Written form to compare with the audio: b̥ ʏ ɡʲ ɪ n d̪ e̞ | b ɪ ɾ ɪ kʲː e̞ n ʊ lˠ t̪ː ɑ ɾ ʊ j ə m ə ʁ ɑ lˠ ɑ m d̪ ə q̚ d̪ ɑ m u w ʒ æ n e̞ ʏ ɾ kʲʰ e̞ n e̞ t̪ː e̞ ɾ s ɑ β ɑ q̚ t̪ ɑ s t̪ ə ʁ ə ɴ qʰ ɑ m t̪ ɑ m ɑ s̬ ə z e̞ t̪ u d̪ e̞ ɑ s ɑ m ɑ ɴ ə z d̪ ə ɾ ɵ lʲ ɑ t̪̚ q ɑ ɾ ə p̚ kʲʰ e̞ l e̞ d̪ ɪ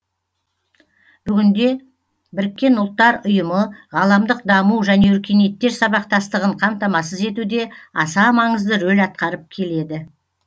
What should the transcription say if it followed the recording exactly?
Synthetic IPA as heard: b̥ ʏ ɡʲ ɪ n d̪ e̞ | b ɪ ɾ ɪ kʲː e̞ n ʊ lˠ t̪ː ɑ ɾ ʊ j ə m ə ʁ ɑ lˠ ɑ m d̪ ə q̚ d̪ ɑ m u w ʒ æ n e̞ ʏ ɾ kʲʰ e̞ n e̞ t̪ː e̞ ɾ s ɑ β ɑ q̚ t̪ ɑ s t̪ ə ʁ ə ɴ qʰ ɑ m t̪ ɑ m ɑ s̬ ə z e̞ t̪ u d̪ e̞ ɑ s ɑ m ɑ ɴ ə z d̪ ə ɾ ɵ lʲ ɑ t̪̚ q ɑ ɾ ə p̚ kʲʰ e̞ l e̞ d̪ ɪ